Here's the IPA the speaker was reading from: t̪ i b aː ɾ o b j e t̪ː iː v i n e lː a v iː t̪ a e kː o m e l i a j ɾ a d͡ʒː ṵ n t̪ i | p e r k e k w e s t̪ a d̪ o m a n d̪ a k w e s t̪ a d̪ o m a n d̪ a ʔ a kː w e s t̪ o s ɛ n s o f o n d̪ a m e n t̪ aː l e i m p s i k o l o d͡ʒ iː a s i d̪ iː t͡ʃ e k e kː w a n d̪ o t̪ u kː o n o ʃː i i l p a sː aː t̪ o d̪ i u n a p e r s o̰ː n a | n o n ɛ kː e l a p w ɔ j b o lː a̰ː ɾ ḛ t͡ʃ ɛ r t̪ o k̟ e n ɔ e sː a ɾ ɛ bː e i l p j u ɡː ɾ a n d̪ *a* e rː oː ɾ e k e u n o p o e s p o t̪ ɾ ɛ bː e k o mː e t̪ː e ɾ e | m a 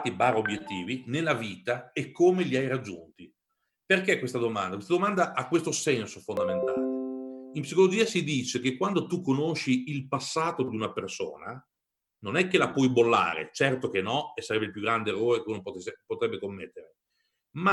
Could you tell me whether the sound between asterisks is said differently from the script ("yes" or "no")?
yes